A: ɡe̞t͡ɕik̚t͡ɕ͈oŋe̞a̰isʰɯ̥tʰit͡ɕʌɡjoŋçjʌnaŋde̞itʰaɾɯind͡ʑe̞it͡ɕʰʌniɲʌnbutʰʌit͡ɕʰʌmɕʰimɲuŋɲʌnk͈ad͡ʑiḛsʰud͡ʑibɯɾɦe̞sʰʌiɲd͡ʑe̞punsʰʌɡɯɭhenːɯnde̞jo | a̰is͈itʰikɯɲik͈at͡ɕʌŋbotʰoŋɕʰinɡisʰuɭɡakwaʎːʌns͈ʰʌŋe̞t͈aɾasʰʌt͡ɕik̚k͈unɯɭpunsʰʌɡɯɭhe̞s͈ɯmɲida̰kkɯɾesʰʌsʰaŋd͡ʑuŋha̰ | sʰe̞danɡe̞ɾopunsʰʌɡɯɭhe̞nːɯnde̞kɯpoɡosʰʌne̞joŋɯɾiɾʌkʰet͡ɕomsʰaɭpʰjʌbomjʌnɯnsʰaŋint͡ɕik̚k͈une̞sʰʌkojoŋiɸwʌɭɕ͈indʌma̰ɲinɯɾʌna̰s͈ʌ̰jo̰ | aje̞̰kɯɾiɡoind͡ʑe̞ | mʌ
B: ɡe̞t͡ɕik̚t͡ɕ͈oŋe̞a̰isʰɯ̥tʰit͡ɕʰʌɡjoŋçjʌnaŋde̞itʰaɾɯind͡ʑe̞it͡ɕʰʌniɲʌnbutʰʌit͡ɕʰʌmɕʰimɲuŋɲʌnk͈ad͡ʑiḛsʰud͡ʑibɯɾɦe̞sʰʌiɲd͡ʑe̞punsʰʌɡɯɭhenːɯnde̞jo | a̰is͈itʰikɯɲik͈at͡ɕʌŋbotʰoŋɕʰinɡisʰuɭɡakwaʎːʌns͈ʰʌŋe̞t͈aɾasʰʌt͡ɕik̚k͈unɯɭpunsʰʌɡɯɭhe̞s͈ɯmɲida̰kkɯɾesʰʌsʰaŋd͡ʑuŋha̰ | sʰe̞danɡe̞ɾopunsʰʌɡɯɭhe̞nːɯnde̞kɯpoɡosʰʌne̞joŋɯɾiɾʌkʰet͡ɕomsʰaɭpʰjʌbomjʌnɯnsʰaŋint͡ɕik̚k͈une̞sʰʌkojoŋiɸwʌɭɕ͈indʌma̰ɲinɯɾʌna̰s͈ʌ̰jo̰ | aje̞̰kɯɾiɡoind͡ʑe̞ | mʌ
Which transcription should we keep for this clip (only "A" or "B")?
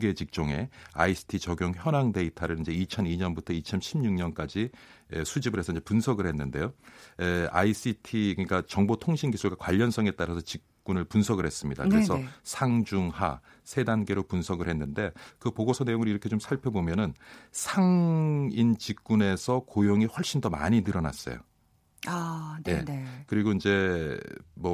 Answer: A